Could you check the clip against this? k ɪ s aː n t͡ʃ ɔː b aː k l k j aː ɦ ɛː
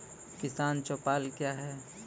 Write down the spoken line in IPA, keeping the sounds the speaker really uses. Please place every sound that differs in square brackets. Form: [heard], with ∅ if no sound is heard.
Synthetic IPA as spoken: k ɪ s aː n t͡ʃ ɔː [p] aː [∅] l k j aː ɦ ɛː